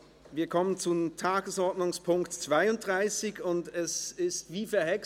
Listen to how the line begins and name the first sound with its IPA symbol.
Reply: v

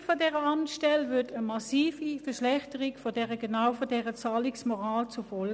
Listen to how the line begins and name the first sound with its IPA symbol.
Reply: f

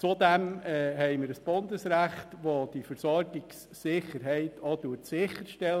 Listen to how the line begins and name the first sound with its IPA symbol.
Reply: t͡s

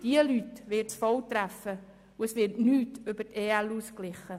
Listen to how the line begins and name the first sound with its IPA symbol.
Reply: d̥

